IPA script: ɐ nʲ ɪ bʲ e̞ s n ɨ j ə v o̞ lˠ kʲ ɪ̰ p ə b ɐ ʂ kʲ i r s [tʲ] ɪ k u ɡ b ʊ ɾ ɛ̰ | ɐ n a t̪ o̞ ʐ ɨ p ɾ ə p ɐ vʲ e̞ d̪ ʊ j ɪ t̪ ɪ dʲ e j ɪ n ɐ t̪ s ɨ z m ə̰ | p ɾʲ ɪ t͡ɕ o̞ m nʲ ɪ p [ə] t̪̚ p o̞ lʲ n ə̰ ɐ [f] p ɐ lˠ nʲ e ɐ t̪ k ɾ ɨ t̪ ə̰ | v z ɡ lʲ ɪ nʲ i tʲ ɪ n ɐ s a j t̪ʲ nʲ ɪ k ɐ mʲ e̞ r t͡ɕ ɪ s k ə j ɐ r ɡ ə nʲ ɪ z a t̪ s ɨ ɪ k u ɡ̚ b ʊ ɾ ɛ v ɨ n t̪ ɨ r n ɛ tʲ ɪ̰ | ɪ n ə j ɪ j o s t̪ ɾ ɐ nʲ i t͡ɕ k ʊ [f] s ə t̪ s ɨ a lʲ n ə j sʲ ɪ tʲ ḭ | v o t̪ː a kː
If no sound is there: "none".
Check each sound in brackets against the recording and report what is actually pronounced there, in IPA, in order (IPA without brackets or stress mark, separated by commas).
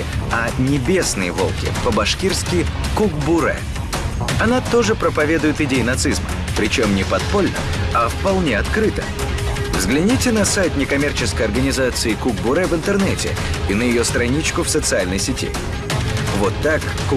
kʲ, ɐ, f, f